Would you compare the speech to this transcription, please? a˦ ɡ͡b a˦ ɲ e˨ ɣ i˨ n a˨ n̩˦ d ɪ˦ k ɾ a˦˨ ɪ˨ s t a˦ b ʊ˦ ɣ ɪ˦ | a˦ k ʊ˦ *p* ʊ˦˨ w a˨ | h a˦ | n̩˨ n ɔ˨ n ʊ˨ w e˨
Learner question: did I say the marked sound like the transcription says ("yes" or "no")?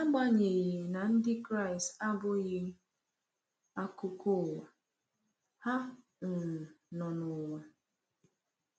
no